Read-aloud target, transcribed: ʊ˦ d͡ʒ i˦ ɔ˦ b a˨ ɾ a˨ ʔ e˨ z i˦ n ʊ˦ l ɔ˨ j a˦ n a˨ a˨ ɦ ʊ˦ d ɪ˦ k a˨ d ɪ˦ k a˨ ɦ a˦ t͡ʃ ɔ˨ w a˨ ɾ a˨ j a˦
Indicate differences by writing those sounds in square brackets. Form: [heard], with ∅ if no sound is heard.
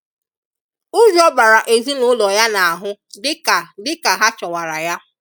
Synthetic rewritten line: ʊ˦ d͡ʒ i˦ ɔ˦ b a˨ ɾ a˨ ʔ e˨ z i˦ n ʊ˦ l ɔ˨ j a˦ n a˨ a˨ ɦ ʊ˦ d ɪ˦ k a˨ d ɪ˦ k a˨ ɦ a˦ t͡ʃ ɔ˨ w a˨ ɾ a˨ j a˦